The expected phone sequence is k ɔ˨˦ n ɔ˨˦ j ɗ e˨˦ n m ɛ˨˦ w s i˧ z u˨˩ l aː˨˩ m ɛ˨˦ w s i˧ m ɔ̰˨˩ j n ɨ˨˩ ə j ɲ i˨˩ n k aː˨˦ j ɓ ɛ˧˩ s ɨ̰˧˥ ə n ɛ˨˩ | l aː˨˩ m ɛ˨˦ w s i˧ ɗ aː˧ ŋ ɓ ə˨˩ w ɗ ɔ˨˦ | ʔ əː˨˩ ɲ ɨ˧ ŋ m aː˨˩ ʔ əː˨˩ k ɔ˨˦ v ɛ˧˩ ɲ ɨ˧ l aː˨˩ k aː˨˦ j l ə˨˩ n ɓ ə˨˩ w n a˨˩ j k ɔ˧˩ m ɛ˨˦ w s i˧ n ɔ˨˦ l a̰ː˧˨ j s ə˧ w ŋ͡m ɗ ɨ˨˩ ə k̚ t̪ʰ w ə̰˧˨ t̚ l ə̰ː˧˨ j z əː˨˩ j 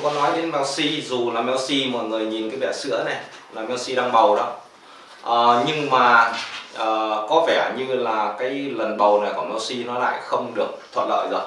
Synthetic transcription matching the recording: k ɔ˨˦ n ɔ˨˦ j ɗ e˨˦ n m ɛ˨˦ w s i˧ z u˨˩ l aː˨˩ m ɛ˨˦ w s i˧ m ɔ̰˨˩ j ŋ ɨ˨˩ ə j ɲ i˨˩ n k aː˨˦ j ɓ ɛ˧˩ s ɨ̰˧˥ ə n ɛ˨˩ | l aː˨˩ m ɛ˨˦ w s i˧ ɗ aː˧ ŋ ɓ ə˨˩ w ɗ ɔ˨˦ | ʔ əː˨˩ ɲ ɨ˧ ŋ m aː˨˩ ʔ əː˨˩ k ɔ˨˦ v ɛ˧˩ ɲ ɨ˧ l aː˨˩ k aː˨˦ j l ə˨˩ n ɓ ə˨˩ w n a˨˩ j k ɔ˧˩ m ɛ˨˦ w s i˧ n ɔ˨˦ l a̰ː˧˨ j x ə˧ w ŋ͡m ɗ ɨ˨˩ ə k̚ t̪ʰ w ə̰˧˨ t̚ l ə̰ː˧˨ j z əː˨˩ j